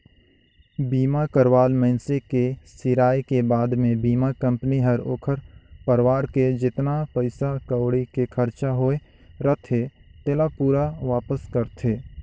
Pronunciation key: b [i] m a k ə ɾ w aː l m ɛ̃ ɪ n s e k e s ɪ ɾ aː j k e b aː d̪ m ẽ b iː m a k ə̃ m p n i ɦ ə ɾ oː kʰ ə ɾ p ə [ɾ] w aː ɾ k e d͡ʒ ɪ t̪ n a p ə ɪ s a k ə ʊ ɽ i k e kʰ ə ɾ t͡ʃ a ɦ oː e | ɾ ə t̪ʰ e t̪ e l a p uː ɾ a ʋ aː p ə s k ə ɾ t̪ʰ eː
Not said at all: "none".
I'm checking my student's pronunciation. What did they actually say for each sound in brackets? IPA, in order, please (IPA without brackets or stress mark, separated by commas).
iː, ɾ